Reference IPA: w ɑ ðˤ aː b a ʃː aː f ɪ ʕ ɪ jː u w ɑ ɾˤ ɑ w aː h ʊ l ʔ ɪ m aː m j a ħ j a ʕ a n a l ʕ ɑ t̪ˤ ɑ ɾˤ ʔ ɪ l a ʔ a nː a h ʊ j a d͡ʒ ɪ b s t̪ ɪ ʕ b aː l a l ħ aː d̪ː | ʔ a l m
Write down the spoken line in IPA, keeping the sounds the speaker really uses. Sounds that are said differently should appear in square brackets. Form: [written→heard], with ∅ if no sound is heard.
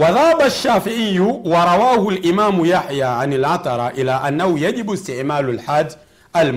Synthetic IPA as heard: w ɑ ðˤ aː b a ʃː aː f ɪ ʕ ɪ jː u w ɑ ɾˤ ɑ w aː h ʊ l ʔ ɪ m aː m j a ħ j a ʕ a n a l ʕ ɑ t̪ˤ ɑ ɾˤ ʔ ɪ l a ʔ a nː a h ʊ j a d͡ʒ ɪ b s t̪ ɪ ʕ [b→m] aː l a l ħ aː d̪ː | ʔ a l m